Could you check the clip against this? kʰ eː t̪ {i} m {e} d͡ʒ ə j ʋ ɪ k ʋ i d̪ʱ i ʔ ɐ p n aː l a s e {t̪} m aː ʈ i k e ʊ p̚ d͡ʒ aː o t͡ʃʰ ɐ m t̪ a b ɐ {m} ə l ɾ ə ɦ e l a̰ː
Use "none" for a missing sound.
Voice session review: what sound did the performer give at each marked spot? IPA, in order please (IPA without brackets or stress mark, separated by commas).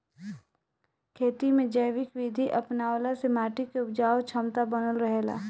i, ẽ, none, n